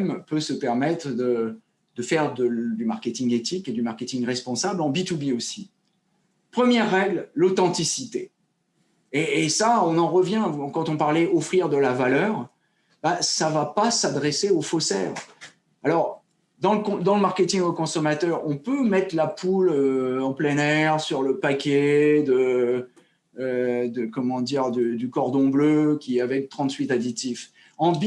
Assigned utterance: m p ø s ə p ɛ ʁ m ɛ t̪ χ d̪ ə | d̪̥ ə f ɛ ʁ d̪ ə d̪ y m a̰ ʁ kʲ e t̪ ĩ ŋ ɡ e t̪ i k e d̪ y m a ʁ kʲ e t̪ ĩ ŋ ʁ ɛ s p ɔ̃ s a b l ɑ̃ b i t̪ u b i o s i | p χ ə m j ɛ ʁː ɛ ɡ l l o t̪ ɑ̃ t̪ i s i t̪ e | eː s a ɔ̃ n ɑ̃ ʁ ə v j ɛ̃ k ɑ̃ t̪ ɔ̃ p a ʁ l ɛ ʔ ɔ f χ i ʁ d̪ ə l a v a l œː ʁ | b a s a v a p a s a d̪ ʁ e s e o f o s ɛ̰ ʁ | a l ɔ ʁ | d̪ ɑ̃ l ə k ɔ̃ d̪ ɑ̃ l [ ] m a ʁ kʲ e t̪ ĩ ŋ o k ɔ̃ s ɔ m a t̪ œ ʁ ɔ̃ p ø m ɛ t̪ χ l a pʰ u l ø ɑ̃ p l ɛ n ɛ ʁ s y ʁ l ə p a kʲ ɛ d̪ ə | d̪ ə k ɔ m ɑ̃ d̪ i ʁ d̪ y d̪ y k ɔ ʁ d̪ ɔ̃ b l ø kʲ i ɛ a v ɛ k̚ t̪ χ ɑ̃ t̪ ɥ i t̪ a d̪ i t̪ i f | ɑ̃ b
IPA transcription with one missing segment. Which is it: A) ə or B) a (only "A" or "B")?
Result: A